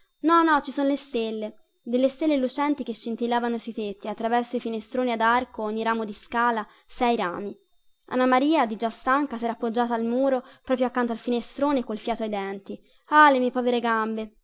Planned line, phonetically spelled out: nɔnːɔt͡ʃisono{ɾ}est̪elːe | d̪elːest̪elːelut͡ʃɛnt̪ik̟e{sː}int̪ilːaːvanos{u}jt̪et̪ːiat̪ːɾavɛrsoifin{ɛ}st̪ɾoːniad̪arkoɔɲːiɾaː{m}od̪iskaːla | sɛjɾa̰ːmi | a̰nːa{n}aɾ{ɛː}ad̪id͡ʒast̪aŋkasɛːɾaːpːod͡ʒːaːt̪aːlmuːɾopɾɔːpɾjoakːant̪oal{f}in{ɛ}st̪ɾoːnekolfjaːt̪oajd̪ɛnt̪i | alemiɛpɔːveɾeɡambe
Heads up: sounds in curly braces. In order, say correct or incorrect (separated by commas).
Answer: incorrect, incorrect, correct, incorrect, correct, incorrect, incorrect, correct, incorrect